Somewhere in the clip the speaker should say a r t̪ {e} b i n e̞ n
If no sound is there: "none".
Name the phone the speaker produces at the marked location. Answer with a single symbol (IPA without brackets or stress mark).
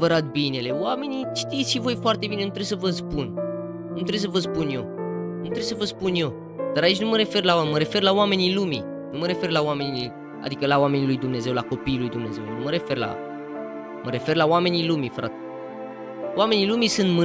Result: e